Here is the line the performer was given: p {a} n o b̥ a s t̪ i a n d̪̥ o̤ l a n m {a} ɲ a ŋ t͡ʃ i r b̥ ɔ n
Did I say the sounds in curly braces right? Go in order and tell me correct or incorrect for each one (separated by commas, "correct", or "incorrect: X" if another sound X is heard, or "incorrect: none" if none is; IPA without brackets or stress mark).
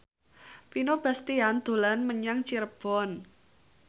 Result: incorrect: i, incorrect: ə